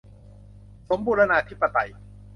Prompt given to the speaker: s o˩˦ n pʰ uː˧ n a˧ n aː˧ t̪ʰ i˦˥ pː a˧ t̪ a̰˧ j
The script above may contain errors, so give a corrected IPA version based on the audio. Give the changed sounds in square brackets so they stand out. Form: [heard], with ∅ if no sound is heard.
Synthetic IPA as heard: s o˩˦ [m] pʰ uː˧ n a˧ n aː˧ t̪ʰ i˦˥ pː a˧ t̪ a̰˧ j